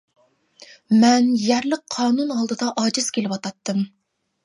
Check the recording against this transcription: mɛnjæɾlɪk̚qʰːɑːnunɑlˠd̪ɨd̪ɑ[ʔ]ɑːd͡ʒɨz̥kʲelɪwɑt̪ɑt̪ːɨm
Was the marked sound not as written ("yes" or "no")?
no